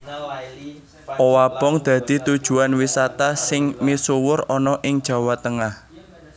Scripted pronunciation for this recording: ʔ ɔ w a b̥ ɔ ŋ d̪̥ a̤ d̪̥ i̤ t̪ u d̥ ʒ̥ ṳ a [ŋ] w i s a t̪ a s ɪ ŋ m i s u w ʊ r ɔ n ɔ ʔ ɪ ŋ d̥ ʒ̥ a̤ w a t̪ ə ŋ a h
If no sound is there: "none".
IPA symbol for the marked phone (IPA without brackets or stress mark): n